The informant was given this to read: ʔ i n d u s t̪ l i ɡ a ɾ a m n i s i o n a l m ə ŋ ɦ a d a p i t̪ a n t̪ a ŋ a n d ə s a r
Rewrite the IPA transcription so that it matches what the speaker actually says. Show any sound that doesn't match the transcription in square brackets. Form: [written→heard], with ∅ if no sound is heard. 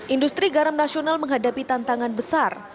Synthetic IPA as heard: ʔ i n d u s t̪ [l→ɾ] i ɡ a ɾ a m n [i→a] s i o n a l m ə ŋ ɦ a d a p i t̪ a n t̪ a ŋ a n [d→b] ə s a r